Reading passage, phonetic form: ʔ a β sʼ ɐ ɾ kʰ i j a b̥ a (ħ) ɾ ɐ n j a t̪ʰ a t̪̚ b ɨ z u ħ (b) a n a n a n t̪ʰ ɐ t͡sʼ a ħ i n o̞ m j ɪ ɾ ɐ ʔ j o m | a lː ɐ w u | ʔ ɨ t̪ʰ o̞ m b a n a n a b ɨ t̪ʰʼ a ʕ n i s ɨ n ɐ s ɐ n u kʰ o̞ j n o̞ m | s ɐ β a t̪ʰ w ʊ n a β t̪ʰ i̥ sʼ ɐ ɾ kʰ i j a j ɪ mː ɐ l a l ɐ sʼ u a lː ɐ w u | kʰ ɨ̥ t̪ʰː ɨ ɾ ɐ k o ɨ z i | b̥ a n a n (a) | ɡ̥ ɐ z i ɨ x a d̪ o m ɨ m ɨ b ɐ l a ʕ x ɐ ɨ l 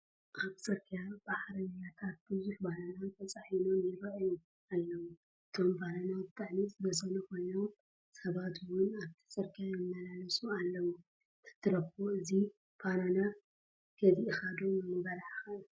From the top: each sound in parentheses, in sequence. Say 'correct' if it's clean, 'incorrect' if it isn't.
correct, correct, correct

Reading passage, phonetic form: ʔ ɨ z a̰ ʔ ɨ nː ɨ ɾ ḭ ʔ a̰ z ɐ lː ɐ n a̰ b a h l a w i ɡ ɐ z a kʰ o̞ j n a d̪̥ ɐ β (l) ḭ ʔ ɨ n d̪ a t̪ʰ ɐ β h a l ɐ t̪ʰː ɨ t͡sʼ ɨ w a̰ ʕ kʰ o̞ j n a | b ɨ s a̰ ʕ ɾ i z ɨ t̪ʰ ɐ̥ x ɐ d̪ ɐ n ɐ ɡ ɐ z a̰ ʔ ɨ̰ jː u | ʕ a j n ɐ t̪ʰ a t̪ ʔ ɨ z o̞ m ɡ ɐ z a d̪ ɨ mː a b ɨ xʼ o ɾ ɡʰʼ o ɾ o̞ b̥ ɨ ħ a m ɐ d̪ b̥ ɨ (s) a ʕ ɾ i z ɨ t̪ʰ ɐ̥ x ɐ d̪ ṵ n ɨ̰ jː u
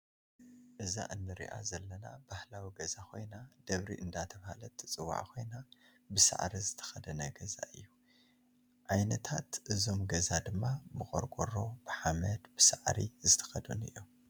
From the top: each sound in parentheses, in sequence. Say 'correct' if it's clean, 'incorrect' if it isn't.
incorrect, correct

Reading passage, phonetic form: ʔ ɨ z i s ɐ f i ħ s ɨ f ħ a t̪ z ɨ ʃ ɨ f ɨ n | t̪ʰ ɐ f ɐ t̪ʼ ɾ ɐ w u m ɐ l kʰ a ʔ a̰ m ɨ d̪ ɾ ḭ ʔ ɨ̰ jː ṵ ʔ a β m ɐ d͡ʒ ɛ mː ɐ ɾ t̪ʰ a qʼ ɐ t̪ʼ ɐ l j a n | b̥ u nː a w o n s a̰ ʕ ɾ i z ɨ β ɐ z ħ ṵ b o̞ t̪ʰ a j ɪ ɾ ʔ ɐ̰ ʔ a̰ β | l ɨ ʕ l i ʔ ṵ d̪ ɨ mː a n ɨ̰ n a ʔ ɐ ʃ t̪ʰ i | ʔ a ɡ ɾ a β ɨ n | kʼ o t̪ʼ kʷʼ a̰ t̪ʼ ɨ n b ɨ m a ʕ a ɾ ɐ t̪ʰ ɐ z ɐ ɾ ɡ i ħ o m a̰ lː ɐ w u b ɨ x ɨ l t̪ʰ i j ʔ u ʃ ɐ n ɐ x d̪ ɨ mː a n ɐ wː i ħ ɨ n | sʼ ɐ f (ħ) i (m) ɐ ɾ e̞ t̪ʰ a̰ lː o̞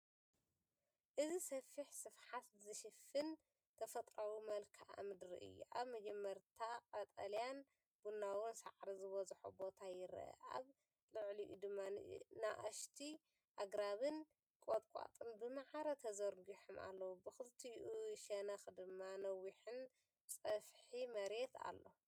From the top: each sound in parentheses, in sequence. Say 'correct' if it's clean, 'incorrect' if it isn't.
correct, correct

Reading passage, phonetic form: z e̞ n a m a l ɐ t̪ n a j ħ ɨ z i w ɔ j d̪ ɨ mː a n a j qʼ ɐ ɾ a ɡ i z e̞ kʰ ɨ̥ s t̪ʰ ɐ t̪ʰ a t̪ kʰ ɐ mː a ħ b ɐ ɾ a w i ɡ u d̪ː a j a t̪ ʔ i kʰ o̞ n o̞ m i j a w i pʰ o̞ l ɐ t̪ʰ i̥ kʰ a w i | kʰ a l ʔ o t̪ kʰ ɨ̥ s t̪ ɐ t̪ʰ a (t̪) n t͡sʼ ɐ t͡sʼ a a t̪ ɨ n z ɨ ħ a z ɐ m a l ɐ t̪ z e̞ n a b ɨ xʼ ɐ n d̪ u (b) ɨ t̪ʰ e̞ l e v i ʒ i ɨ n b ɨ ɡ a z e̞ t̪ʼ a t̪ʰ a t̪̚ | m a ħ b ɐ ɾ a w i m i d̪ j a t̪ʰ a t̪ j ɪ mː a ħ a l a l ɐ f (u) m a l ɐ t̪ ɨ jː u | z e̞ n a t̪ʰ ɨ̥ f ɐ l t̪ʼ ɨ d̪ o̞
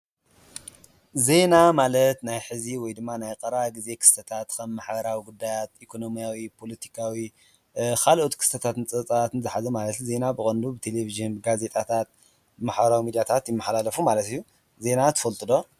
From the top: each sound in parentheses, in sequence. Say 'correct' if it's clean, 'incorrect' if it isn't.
correct, correct, correct

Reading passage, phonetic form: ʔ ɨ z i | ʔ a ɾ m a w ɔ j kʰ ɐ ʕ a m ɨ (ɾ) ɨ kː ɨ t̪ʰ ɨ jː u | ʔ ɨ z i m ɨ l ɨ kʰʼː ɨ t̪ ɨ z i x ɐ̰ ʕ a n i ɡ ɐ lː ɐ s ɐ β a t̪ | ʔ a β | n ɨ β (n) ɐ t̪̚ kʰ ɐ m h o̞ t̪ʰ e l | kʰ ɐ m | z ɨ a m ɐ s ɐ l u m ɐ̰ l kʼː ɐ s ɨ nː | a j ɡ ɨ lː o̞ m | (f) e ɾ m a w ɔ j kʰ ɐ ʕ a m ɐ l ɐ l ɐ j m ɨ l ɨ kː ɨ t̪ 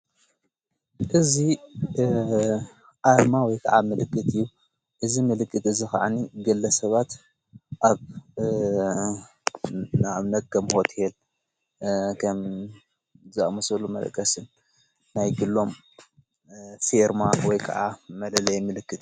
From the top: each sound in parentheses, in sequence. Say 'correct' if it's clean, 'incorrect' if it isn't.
incorrect, correct, correct

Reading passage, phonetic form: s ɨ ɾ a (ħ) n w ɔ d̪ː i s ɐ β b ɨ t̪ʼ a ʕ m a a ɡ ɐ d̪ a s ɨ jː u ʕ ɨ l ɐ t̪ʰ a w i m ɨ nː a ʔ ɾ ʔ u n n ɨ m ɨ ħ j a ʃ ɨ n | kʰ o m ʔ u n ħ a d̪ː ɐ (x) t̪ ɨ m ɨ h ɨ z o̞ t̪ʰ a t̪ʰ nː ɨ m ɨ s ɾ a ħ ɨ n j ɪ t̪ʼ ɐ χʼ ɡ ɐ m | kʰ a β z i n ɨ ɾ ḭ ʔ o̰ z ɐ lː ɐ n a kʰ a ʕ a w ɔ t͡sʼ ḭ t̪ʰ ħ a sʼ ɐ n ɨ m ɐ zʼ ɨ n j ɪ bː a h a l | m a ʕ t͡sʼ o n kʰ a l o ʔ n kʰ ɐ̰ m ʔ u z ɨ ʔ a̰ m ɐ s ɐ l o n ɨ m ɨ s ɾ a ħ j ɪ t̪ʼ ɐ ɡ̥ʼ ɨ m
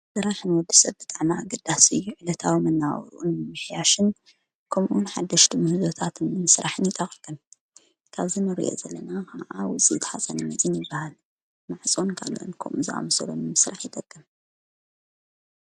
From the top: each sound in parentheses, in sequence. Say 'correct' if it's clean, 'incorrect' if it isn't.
correct, incorrect

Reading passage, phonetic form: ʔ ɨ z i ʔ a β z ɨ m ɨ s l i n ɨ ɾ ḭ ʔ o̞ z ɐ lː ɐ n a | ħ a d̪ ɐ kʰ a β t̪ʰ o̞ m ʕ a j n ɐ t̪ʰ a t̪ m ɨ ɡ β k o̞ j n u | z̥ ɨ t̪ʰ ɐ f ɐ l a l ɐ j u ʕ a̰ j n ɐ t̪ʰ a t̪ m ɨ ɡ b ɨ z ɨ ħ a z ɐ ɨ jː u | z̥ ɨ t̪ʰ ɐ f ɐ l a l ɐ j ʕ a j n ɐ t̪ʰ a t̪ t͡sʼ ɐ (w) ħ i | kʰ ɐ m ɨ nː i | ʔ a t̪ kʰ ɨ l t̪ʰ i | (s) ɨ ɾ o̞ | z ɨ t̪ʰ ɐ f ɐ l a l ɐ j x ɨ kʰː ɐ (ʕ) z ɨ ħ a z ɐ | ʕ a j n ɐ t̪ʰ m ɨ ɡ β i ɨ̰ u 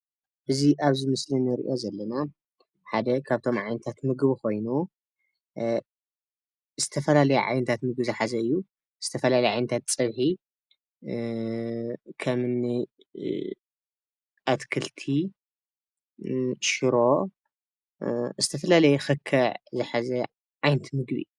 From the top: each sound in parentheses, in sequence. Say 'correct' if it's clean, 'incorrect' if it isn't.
incorrect, incorrect, correct

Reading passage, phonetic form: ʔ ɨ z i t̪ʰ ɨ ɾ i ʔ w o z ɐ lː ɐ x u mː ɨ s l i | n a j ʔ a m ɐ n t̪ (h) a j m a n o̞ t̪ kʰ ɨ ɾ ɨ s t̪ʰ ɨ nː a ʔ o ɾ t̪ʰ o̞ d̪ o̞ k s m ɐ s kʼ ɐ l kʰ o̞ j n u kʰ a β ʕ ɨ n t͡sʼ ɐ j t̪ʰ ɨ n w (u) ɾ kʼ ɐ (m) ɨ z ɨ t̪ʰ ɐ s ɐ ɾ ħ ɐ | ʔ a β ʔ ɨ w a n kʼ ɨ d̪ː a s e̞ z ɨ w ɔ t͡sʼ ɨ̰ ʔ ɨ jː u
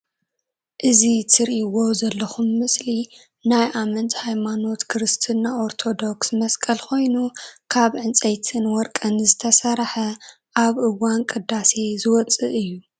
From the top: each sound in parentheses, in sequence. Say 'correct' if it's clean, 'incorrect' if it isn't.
correct, incorrect, incorrect

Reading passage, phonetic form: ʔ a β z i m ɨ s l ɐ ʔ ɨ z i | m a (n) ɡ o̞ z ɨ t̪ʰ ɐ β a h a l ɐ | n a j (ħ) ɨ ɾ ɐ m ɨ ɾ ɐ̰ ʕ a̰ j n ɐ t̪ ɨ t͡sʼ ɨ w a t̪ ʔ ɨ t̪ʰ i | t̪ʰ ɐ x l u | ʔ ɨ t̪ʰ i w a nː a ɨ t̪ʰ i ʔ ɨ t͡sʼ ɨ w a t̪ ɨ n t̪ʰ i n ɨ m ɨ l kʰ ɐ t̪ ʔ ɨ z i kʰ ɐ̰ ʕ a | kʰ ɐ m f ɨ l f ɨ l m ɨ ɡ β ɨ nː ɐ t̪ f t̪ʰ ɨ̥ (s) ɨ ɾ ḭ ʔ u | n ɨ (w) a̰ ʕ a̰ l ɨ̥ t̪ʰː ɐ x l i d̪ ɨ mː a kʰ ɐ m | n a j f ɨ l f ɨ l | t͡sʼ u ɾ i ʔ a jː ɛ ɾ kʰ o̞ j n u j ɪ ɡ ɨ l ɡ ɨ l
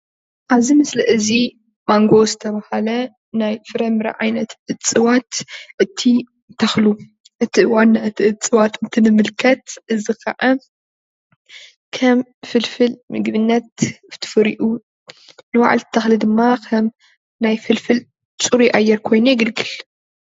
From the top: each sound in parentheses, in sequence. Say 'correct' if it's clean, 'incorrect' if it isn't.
incorrect, incorrect, incorrect, correct

